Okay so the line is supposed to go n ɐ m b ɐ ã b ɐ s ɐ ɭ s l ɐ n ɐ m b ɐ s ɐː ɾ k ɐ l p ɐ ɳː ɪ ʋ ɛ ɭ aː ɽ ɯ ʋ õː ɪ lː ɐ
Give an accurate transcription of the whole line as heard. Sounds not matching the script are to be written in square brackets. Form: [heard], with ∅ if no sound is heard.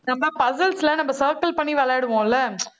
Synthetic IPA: n ɐ m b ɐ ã [p] ɐ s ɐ [l] s l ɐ n ɐ m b ɐ s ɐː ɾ k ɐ l p ɐ ɳː [i] ʋ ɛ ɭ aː ɽ ɯ ʋ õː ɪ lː ɐ